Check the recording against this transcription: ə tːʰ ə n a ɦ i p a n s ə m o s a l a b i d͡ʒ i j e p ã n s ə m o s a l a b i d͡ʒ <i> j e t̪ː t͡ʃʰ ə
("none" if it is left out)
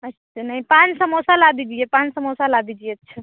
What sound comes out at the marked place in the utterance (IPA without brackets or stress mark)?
i